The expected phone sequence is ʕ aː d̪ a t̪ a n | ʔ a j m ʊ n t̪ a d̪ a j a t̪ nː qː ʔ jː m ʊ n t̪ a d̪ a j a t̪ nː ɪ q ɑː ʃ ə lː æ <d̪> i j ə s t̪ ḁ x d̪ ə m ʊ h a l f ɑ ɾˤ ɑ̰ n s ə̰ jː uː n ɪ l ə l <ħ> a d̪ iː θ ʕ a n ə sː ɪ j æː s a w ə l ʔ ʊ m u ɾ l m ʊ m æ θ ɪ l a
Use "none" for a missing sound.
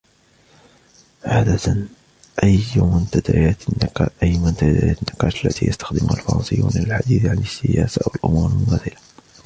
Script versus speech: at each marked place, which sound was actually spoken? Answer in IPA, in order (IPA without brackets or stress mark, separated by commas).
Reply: t̪, ħ